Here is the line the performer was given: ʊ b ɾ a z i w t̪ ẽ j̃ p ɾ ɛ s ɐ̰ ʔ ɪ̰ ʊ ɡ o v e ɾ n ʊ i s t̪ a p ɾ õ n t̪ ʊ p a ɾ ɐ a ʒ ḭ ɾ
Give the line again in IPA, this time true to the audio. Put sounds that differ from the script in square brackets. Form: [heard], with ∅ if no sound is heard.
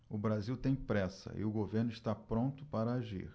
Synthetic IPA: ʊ b ɾ a z i w t̪ ẽ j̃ p ɾ ɛ s ɐ̰ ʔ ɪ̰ ʊ ɡ o v e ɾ n ʊ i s t̪ a p ɾ õ n t̪ ʊ p a ɾ ɐ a ʒ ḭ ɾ